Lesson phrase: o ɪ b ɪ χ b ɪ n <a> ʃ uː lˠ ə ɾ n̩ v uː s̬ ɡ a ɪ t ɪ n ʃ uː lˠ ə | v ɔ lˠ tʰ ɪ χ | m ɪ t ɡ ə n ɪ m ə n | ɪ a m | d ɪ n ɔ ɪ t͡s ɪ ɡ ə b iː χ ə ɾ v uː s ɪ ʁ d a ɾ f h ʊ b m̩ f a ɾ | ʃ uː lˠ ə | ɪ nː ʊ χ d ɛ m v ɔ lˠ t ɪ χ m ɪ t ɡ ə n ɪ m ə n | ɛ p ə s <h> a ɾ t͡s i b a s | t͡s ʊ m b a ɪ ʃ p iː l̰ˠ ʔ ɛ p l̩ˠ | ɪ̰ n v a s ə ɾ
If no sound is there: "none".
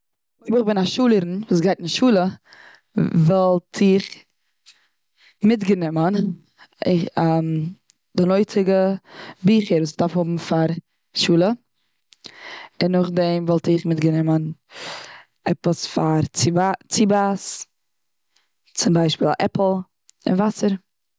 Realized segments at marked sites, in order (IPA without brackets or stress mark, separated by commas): a, f